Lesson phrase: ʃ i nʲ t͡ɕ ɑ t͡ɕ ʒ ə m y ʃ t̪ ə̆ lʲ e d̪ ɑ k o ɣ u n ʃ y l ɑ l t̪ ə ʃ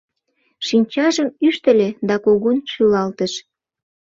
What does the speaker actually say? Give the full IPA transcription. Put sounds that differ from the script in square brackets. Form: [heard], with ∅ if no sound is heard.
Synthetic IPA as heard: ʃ i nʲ t͡ɕ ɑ [∅] ʒ ə m y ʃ t̪ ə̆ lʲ e d̪ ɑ k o ɣ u n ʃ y l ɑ l t̪ ə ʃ

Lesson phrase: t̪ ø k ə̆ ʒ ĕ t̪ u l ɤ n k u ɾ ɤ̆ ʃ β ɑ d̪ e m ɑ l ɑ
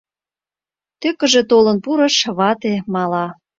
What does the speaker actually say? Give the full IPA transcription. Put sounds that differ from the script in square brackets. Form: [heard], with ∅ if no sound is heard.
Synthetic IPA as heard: t̪ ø k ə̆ ʒ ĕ t̪ [o] l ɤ n [p] u ɾ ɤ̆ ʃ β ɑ [t̪] e m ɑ l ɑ

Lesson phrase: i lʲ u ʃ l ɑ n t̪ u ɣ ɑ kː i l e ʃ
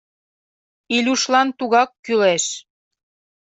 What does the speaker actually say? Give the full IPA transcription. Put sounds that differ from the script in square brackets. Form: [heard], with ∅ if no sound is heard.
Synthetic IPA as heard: i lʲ u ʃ l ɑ n t̪ u ɣ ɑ kː [y] l e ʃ

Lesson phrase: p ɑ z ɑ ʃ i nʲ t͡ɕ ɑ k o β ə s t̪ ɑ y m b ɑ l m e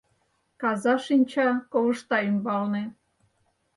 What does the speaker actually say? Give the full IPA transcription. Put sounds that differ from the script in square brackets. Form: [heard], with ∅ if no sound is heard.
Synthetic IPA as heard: [k] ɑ z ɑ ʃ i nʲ t͡ɕ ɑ k o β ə [ʃ] t̪ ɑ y m b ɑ l [n] e

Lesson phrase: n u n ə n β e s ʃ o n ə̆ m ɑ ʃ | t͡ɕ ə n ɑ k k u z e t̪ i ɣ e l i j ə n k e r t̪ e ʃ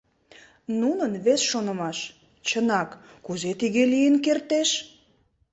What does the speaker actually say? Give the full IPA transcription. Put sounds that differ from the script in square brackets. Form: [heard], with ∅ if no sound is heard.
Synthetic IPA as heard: n u n ə n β e s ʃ o n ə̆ m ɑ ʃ | t͡ɕ ə n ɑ k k u z e t̪ i ɣ e l i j ə n k e r t̪ e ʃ

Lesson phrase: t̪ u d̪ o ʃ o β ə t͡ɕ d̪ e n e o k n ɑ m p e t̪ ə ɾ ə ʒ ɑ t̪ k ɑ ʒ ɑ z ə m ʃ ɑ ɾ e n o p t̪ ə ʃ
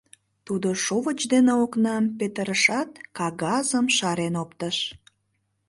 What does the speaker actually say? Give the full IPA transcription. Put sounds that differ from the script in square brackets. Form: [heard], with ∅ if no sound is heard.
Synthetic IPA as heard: t̪ u d̪ o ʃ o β ə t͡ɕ d̪ e n e o k n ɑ m p e t̪ ə ɾ ə [ʃ] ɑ t̪ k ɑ [ɣ] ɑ z ə m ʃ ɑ ɾ e n o p t̪ ə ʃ

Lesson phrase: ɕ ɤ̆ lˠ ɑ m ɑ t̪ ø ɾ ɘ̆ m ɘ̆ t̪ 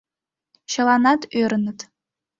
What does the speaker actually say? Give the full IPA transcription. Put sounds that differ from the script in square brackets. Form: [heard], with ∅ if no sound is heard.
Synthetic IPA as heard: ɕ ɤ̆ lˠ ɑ [n] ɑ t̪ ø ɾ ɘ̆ [n] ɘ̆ t̪

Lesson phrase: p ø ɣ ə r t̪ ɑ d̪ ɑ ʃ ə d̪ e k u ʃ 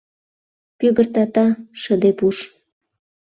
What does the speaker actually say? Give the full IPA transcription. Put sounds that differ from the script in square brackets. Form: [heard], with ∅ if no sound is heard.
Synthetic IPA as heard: p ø ɣ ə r t̪ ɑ [t̪] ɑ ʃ ə d̪ e [p] u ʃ

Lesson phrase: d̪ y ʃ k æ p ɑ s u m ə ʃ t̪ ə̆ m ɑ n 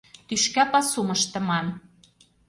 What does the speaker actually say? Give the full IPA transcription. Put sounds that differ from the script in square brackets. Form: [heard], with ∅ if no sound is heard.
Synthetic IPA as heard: [t̪] y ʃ k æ p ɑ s u m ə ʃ t̪ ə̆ m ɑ n

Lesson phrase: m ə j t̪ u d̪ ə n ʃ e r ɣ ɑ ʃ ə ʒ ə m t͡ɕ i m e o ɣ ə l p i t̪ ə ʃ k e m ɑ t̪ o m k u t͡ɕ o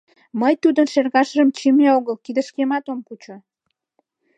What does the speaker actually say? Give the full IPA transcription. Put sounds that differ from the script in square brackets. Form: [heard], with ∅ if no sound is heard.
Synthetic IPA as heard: m ə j t̪ u d̪ ə n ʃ e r ɣ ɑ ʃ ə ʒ ə m t͡ɕ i m e o ɣ ə l [k] i [d̪] ə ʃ k e m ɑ t̪ o m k u t͡ɕ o

